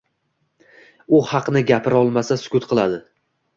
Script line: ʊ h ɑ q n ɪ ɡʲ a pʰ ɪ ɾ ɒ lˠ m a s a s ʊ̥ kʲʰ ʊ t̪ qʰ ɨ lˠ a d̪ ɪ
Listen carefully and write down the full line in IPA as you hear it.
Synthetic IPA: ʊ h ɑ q n ɪ ɡʲ a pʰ ɪ ɾ ɒ lˠ m a s a s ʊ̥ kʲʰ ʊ t̪ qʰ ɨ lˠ a d̪ ɪ